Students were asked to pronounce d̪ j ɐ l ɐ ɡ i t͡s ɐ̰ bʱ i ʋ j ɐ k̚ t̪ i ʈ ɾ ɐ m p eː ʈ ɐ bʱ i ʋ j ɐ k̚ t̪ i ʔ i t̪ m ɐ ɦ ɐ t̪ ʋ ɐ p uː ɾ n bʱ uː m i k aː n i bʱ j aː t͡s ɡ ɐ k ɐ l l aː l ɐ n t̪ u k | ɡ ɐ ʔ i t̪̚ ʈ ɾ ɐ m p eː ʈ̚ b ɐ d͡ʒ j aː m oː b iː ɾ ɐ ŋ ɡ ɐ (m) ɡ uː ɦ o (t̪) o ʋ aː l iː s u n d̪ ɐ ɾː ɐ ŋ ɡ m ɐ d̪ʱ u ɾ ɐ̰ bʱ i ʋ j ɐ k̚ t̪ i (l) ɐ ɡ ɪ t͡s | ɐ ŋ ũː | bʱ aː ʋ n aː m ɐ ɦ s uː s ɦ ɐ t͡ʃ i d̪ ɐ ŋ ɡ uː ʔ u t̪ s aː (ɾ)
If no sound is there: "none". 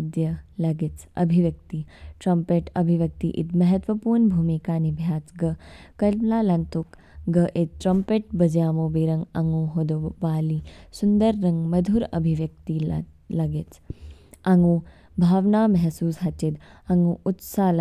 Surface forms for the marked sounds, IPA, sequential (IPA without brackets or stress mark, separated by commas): ŋ, d̪, l, l